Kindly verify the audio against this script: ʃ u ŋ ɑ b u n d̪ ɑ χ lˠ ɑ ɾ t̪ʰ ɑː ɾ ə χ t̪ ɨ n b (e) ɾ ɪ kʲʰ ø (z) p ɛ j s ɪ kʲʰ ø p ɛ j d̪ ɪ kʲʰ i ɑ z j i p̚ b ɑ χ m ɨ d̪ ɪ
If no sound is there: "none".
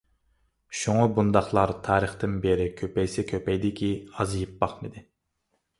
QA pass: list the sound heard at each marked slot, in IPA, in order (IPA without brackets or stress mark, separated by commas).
e, none